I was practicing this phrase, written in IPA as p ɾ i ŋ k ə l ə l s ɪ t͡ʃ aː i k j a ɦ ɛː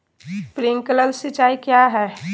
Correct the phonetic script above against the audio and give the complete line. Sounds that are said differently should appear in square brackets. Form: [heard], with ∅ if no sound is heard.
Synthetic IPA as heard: p ɾ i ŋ k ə l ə l s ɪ t͡ʃ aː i k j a ɦ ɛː